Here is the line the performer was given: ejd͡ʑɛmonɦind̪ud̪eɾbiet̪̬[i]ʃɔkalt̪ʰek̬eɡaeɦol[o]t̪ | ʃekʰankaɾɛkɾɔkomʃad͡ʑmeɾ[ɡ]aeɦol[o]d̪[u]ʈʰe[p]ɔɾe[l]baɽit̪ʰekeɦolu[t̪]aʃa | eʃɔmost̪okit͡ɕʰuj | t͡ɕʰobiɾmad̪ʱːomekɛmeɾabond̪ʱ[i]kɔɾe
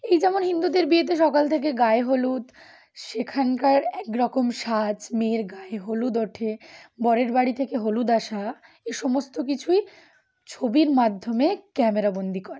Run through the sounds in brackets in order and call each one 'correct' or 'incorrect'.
incorrect: e, incorrect: u, correct, incorrect: u, incorrect: o, incorrect: b, incorrect: ɾ, incorrect: d̪, correct

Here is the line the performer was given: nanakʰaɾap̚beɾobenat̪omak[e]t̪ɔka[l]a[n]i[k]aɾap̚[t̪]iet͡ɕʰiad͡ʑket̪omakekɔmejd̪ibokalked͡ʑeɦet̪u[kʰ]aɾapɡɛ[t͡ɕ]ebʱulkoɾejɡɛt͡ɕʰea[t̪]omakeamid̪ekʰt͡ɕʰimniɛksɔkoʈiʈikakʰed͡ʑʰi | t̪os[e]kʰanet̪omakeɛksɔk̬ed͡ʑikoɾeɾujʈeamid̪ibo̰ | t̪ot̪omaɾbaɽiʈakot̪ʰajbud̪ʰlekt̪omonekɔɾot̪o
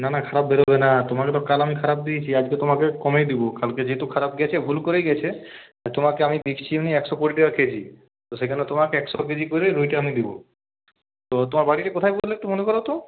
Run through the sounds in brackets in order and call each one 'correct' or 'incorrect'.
correct, correct, incorrect: m, incorrect: kʰ, incorrect: d̪, correct, incorrect: t͡ɕʰ, correct, correct

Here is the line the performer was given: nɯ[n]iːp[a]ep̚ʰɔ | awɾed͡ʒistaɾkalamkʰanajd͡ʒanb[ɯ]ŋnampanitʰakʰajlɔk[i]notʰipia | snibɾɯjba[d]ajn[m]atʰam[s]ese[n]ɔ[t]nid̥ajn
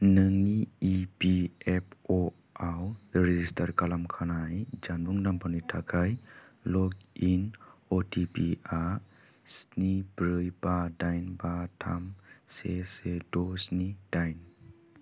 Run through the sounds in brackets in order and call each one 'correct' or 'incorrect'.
incorrect: ŋ, incorrect: i, incorrect: u, correct, correct, incorrect: b, correct, incorrect: d, incorrect: s

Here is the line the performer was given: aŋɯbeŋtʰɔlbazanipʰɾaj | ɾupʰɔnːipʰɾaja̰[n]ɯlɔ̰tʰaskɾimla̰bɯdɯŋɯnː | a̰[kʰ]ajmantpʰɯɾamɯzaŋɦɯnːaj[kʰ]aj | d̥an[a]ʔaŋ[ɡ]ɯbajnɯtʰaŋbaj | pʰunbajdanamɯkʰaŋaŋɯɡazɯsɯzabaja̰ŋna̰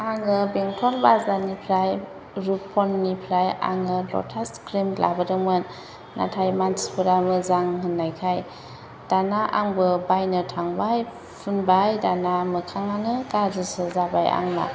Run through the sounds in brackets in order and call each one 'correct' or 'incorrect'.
incorrect: ŋ, incorrect: tʰ, correct, correct, incorrect: b

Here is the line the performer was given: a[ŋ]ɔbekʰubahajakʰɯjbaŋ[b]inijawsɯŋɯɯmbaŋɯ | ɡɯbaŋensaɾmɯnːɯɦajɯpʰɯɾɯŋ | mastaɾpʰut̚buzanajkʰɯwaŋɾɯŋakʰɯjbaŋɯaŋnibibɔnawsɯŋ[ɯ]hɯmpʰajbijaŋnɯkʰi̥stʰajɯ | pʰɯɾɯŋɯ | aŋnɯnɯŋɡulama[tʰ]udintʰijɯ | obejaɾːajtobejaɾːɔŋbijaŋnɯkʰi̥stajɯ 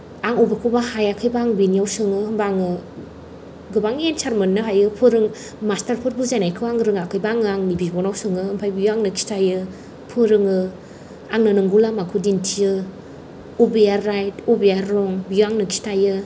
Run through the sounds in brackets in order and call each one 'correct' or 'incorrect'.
correct, correct, correct, incorrect: kʰ

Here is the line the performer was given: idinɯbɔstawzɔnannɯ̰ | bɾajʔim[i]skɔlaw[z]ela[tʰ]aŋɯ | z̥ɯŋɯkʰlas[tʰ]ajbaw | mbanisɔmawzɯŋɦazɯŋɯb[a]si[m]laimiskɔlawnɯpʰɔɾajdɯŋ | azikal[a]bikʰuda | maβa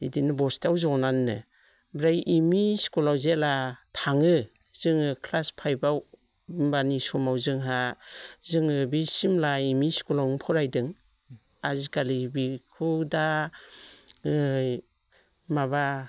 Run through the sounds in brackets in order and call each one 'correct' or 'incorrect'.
correct, correct, correct, incorrect: pʰ, incorrect: i, correct, incorrect: i

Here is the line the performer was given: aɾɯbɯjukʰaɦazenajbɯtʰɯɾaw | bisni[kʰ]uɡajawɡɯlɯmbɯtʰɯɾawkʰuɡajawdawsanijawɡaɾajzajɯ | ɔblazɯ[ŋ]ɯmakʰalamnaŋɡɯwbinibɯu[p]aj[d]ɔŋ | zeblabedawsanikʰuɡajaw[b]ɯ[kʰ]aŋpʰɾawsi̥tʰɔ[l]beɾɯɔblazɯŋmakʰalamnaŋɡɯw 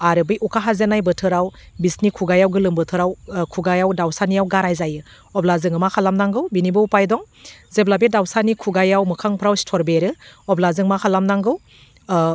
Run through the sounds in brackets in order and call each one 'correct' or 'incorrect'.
correct, correct, correct, correct, incorrect: m, correct, incorrect: ɾ

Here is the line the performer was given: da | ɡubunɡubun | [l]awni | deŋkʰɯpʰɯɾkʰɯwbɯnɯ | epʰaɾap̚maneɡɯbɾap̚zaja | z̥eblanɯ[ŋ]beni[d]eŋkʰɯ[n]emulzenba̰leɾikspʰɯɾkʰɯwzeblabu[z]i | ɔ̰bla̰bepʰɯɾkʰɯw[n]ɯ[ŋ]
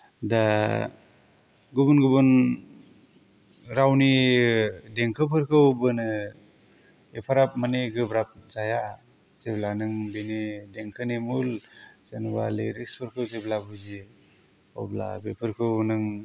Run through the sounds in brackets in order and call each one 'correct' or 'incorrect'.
incorrect: ɾ, correct, correct, correct, correct, correct, correct

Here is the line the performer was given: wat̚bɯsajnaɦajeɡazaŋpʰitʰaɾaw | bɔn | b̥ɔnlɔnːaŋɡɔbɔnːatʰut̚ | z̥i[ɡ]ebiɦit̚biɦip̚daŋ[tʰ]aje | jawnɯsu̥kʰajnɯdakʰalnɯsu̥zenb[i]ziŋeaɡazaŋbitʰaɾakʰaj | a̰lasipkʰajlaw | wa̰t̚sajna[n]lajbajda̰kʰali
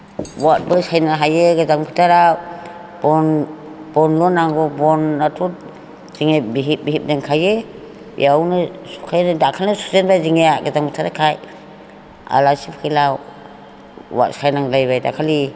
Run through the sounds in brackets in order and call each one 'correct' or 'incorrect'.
incorrect: ŋ, incorrect: kʰ, incorrect: a, incorrect: ŋ

